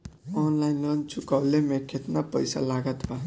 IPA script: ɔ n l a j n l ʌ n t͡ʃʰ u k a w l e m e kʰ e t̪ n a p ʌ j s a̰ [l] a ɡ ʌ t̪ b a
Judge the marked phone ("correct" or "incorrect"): correct